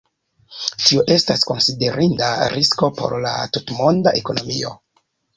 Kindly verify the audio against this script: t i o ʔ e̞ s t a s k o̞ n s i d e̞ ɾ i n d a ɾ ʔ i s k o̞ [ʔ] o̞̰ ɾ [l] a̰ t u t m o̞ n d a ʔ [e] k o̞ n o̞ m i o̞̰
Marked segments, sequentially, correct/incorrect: incorrect: p, correct, correct

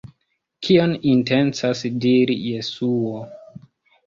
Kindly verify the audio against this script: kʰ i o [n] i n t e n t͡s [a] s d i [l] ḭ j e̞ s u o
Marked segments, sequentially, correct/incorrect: correct, correct, incorrect: ɾ

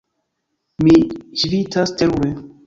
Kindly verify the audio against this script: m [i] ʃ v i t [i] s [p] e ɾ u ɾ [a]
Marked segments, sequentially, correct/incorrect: correct, incorrect: a, incorrect: t, incorrect: e

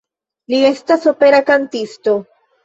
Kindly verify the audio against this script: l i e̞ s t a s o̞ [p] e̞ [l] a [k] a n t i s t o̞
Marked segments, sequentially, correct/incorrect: correct, incorrect: ɾ, correct

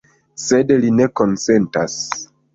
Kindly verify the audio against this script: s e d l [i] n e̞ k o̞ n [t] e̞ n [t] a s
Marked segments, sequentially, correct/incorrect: correct, incorrect: s, correct

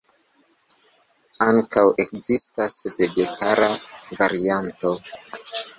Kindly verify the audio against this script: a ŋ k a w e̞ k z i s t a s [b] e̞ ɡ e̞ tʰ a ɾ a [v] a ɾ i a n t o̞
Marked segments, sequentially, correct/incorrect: incorrect: v, correct

